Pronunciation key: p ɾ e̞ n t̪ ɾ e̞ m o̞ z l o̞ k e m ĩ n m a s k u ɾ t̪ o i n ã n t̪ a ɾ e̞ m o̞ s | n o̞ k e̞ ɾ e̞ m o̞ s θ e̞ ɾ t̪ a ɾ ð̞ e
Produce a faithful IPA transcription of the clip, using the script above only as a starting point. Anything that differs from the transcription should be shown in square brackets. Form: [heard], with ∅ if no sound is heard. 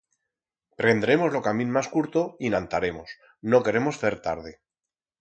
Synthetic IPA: p ɾ e̞ n [d̪] ɾ e̞ m o̞ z l o̞ k [a] m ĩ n m a s k u ɾ t̪ o i n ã n t̪ a ɾ e̞ m o̞ s | n o̞ k e̞ ɾ e̞ m o̞ s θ e̞ ɾ t̪ a ɾ ð̞ e